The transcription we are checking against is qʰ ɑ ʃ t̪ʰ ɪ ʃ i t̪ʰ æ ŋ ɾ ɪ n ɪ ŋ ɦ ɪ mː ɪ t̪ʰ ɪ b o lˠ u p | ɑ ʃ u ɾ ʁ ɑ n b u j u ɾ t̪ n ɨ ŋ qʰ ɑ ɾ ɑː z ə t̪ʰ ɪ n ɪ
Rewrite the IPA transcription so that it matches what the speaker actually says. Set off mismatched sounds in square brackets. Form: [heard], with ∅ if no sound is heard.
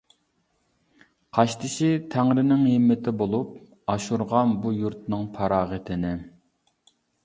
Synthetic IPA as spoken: qʰ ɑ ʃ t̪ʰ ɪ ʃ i t̪ʰ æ ŋ ɾ ɪ n ɪ ŋ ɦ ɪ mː ɪ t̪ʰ ɪ b o lˠ u p | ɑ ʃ u ɾ ʁ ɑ n b u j u ɾ t̪ n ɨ ŋ [pʰ] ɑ ɾ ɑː [ʁ] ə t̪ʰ ɪ n ɪ

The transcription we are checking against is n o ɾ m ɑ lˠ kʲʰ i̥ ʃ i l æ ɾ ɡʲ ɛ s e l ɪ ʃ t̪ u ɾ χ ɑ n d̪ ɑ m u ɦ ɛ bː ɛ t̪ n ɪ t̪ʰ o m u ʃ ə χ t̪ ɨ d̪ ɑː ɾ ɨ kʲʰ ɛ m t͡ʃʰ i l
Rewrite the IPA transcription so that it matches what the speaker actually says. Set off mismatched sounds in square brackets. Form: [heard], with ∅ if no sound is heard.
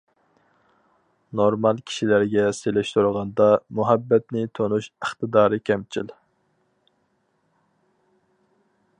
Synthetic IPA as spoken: n o ɾ m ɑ lˠ kʲʰ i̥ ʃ i l æ ɾ ɡʲ ɛ s e l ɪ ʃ t̪ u ɾ [ʁ] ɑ n d̪ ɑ m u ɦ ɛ bː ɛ t̪ n ɪ t̪ʰ o [n] u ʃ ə χ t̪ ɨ d̪ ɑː ɾ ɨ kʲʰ ɛ m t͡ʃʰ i l

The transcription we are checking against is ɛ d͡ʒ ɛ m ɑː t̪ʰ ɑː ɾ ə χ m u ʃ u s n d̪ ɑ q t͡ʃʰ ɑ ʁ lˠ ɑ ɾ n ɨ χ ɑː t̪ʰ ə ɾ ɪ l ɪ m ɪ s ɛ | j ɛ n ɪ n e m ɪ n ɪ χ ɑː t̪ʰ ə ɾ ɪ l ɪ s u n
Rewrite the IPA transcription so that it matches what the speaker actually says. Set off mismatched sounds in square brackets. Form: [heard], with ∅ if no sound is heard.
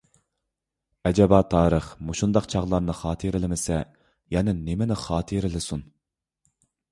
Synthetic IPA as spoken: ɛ d͡ʒ ɛ [b] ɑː t̪ʰ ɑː ɾ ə χ m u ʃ u [∅] n d̪ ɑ q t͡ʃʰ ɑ ʁ lˠ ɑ ɾ n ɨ χ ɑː t̪ʰ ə ɾ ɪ l ɪ m ɪ s ɛ | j ɛ n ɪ n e m ɪ n ɪ χ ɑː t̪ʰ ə ɾ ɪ l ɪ s u n

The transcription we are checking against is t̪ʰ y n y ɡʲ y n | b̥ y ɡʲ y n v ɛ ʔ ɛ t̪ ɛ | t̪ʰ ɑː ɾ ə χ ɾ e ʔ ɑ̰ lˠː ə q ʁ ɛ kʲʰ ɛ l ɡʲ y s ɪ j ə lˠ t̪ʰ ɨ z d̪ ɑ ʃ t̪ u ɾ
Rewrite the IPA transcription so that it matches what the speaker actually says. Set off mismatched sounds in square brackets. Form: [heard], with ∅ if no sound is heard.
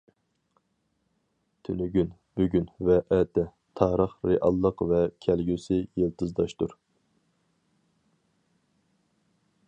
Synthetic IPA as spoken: t̪ʰ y n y ɡʲ y n | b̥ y ɡʲ y n v ɛ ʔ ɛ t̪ ɛ | t̪ʰ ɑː ɾ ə χ ɾ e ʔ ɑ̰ lˠː ə q [v] ɛ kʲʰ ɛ l ɡʲ y s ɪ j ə lˠ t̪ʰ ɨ z d̪ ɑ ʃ t̪ u ɾ

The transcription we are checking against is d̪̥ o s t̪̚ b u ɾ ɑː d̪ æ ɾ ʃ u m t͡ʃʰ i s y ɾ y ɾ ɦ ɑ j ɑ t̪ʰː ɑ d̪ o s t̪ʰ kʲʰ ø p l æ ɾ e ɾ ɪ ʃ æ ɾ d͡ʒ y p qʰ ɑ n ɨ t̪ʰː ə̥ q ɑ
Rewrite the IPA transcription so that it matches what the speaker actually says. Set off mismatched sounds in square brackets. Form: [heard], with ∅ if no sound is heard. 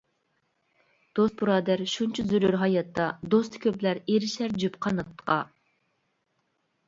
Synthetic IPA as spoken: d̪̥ o s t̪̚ b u ɾ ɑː d̪ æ ɾ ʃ u [n] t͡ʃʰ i [z] y ɾ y ɾ ɦ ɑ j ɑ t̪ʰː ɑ d̪ o s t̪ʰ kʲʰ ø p l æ ɾ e ɾ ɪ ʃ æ ɾ d͡ʒ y p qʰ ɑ n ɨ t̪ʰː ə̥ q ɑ

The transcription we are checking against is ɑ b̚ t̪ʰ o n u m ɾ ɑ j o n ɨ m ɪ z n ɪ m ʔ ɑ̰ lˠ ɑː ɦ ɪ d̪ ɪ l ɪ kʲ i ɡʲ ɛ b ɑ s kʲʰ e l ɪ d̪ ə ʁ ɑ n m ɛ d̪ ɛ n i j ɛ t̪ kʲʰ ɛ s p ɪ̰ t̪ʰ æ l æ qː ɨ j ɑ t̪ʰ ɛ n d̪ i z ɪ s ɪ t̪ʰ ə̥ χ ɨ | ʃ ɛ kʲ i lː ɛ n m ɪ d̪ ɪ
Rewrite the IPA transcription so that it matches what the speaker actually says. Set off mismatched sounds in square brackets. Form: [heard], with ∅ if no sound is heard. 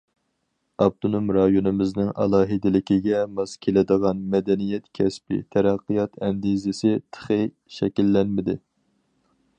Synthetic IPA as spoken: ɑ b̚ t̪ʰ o n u m ɾ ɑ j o n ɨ m ɪ z n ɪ [ŋ] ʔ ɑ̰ lˠ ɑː ɦ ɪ d̪ ɪ l ɪ kʲ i ɡʲ ɛ [m] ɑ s kʲʰ e l ɪ d̪ ə ʁ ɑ n m ɛ d̪ ɛ n i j ɛ t̪ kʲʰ ɛ s p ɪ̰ t̪ʰ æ [ɾ] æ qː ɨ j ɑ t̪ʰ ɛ n d̪ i z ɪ s ɪ t̪ʰ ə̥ χ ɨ | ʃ ɛ kʲ i lː ɛ n m ɪ d̪ ɪ

